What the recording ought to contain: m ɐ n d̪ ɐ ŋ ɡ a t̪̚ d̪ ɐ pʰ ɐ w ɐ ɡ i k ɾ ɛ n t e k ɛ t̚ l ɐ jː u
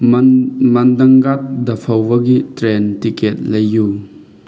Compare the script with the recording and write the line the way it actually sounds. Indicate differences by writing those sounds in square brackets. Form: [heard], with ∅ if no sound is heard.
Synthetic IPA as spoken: m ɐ n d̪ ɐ ŋ ɡ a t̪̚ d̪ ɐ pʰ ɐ w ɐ ɡ i [t] ɾ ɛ n t [i] k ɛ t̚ l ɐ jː u